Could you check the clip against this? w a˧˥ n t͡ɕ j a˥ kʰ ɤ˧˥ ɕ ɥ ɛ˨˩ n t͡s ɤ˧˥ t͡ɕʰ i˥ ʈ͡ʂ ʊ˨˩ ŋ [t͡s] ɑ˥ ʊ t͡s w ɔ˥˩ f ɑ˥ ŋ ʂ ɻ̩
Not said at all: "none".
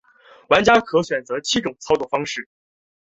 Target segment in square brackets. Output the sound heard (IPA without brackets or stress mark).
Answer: t͡sʰ